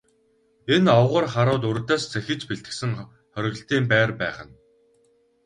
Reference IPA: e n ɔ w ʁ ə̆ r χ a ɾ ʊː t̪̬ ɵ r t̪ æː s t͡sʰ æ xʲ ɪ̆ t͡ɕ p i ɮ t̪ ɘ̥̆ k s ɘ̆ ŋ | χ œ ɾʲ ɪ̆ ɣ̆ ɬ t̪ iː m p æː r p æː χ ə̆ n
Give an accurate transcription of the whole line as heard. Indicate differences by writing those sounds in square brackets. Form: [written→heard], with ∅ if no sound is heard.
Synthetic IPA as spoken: e n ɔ w ʁ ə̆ r χ a ɾ ʊː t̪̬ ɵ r t̪ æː s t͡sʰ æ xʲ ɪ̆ t͡ɕ p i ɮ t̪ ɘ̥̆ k s ɘ̆ ŋ | χ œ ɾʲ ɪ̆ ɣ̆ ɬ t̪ iː m p æː r p æː χ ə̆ n